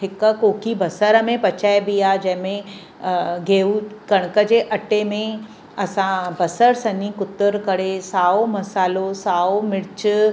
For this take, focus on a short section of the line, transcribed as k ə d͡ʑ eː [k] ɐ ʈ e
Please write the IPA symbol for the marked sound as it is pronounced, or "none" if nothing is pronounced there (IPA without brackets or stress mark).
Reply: ʔ